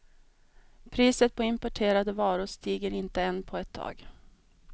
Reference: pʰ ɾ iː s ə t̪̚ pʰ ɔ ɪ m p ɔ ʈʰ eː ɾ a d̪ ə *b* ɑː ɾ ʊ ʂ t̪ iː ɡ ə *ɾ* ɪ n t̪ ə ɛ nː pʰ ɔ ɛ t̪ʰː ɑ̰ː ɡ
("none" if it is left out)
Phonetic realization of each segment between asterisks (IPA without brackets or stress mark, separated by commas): v, ɾ